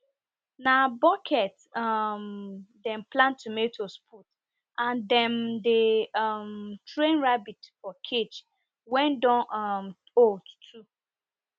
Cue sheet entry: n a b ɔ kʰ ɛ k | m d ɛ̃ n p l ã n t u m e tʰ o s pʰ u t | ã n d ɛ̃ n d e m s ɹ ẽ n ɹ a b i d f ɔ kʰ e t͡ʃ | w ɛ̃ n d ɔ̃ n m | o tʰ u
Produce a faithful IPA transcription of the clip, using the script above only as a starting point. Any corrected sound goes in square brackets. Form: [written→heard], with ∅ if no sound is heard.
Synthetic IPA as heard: n a b ɔ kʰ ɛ [k→t] | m d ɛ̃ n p l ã n t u m e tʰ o s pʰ u t | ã n d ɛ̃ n d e m [s→t] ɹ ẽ n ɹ a b i [d→t] f ɔ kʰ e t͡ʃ | w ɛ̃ n d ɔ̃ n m | o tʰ u